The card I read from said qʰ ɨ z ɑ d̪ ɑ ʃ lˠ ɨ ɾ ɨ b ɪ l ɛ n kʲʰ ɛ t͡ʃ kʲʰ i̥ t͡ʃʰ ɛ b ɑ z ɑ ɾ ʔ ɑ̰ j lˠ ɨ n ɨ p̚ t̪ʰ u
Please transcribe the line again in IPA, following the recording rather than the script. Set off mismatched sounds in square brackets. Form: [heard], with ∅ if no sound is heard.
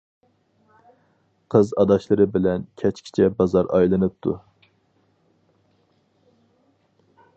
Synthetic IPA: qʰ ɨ z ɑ d̪ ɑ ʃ lˠ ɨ ɾ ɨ b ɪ l ɛ n kʲʰ ɛ t͡ʃ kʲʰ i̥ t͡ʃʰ ɛ b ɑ z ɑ ɾ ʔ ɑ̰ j lˠ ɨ n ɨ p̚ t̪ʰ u

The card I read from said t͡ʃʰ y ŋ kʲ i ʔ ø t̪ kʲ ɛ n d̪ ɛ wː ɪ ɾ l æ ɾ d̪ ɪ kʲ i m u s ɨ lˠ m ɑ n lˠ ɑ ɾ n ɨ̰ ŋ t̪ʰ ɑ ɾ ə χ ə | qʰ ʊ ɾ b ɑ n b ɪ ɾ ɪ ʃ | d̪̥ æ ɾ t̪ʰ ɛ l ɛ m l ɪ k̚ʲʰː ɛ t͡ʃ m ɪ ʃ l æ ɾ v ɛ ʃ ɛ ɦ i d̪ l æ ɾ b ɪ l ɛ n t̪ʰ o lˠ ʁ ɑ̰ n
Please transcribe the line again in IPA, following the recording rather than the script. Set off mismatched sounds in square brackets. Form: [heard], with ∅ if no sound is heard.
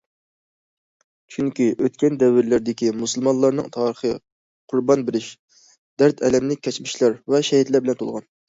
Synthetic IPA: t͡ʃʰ y ŋ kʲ i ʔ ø t̪ kʲ ɛ n d̪ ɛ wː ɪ ɾ l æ ɾ d̪ ɪ kʲ i m u s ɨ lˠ m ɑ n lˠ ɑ ɾ n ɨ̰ ŋ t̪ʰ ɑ ɾ ə χ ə | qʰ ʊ ɾ b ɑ n b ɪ ɾ ɪ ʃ | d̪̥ æ ɾ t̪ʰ ɛ l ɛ m l ɪ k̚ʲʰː ɛ t͡ʃ m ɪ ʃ l æ ɾ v ɛ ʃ ɛ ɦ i [t̪] l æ ɾ b ɪ l ɛ n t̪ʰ o lˠ ʁ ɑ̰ n

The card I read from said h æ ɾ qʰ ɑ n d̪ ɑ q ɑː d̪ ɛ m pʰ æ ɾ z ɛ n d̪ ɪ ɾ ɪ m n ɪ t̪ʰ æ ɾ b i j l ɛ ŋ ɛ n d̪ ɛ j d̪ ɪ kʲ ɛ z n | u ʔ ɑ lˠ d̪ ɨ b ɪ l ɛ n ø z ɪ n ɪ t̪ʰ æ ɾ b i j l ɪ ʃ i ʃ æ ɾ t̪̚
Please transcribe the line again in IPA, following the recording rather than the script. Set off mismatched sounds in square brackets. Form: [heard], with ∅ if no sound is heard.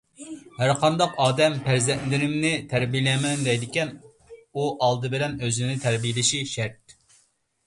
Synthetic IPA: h æ ɾ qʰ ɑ n d̪ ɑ q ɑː d̪ ɛ m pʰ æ ɾ z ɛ n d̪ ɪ ɾ ɪ m n ɪ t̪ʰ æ ɾ b i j l ɛ [m] ɛ n d̪ ɛ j d̪ ɪ kʲ ɛ [∅] n | u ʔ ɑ lˠ d̪ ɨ b ɪ l ɛ n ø z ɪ n ɪ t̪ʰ æ ɾ b i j l ɪ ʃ i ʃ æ ɾ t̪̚

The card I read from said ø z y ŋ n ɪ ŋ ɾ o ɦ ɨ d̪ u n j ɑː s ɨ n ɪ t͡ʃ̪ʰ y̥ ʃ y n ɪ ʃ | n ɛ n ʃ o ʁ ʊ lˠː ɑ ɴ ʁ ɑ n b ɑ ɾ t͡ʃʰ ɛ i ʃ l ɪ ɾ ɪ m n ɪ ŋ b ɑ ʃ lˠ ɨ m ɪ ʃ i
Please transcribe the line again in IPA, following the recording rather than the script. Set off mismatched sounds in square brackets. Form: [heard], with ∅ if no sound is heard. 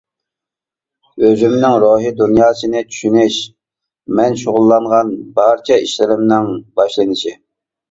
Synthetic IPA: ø z y [m] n ɪ ŋ ɾ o ɦ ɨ d̪ u n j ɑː s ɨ n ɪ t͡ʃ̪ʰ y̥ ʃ y n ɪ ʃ | [m] ɛ n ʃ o ʁ ʊ lˠː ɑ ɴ ʁ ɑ n b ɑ ɾ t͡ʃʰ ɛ i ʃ l ɪ ɾ ɪ m n ɪ ŋ b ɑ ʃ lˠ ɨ [n] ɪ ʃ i

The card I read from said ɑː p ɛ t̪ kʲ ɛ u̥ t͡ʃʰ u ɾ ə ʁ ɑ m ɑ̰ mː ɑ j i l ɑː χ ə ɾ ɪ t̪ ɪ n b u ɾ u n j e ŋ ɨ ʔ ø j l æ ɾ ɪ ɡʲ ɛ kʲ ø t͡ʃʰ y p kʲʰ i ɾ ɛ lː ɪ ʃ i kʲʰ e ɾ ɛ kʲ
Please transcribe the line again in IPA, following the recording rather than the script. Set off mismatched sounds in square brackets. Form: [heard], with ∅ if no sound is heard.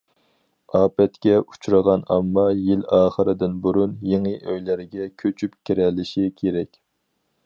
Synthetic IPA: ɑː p ɛ t̪ kʲ ɛ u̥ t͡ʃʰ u ɾ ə ʁ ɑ [n] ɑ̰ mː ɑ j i l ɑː χ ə ɾ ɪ [d̪] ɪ n b u ɾ u n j e ŋ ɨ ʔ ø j l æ ɾ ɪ ɡʲ ɛ [kʲʰ] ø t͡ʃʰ y p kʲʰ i ɾ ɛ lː ɪ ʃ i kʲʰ e ɾ ɛ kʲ

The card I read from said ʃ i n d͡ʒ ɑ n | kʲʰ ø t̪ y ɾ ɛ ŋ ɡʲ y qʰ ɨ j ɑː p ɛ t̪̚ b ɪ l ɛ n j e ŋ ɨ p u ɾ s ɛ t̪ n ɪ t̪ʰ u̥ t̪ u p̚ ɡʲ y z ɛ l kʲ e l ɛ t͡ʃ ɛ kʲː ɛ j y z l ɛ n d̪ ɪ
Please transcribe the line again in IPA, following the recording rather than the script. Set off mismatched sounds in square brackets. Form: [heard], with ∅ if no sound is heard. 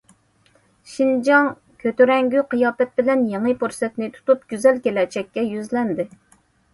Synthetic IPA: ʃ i n d͡ʒ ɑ [ŋ] | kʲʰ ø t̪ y ɾ ɛ ŋ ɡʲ y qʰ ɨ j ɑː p ɛ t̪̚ b ɪ l ɛ n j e ŋ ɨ p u ɾ s ɛ t̪ n ɪ t̪ʰ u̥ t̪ u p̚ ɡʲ y z ɛ l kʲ e l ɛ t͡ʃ ɛ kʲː ɛ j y z l ɛ n d̪ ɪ

